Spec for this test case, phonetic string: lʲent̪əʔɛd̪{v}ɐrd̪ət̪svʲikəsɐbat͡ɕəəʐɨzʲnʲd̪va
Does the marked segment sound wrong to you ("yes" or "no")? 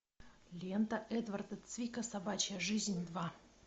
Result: no